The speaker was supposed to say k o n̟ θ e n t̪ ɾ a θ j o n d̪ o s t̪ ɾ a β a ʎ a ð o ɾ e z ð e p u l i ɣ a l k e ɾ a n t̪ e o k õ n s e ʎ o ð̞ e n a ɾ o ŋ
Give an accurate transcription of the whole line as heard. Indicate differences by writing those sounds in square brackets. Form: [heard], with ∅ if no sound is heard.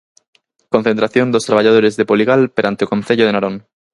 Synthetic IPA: k o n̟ θ e n t̪ ɾ a θ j o n d̪ o s t̪ ɾ a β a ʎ a ð o ɾ e z ð e p [o] l i ɣ a l [p] e ɾ a n t̪ e o k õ n [θ] e ʎ o ð̞ e n a ɾ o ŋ